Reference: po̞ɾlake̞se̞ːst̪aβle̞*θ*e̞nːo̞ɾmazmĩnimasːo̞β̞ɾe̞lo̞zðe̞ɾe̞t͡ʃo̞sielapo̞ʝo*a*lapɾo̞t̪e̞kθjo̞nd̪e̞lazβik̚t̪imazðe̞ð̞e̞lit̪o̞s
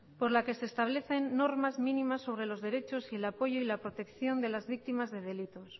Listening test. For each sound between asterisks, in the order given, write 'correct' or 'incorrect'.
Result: correct, incorrect: i

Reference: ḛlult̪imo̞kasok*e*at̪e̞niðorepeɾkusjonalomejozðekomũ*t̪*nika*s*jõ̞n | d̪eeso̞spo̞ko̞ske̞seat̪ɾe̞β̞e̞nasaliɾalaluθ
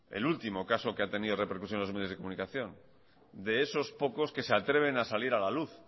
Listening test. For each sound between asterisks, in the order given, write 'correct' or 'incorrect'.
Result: correct, incorrect: none, incorrect: θ

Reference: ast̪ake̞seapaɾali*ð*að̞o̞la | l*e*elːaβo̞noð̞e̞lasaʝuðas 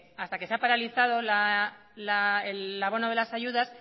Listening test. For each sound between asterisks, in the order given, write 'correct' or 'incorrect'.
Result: incorrect: θ, incorrect: a

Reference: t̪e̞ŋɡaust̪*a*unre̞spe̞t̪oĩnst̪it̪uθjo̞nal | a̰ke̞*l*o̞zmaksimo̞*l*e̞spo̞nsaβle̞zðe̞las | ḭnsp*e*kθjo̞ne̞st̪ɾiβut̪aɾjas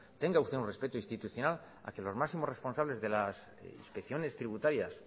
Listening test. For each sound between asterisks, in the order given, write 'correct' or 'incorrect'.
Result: incorrect: e, correct, incorrect: r, correct

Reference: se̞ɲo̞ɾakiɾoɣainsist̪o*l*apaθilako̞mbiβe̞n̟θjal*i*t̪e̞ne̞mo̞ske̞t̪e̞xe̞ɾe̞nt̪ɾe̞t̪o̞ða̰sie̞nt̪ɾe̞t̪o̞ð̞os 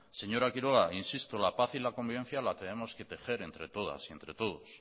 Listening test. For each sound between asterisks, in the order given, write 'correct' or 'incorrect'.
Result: correct, incorrect: a

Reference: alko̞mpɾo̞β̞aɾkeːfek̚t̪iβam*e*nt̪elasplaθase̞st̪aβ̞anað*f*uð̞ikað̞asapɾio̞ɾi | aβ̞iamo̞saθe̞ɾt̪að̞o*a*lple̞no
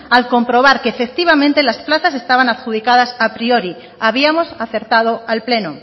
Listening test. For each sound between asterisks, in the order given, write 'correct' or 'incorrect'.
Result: incorrect: ẽ, incorrect: x, correct

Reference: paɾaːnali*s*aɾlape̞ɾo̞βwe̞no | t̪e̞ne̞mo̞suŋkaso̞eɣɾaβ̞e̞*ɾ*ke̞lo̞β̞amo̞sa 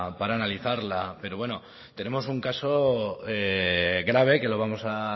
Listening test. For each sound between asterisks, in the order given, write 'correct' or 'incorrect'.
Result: incorrect: θ, incorrect: none

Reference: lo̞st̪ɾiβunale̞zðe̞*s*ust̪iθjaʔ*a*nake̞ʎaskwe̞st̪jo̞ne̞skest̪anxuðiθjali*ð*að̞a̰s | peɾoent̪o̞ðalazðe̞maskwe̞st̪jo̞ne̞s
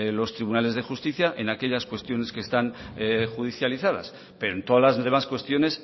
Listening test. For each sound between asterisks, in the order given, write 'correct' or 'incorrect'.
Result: incorrect: x, incorrect: e, incorrect: θ

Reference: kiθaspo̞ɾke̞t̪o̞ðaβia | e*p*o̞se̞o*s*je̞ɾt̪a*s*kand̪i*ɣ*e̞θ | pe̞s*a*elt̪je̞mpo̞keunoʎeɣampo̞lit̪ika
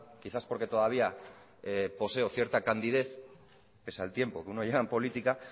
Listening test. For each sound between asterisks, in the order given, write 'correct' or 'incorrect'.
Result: correct, incorrect: θ, incorrect: none, incorrect: ð, correct

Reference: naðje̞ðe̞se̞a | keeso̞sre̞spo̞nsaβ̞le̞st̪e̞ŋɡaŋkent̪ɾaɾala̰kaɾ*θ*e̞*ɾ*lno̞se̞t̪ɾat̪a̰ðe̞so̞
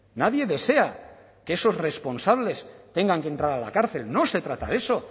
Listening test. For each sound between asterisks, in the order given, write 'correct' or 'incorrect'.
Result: correct, incorrect: none

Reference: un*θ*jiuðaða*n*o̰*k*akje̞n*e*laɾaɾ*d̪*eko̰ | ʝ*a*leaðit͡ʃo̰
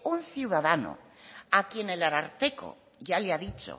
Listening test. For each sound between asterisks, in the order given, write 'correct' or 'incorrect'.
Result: correct, correct, incorrect: none, correct, incorrect: t̪, correct

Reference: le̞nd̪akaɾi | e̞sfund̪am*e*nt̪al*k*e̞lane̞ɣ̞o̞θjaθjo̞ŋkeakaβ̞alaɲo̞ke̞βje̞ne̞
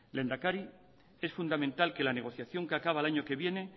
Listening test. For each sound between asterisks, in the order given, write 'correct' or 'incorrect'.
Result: incorrect: ẽ, correct

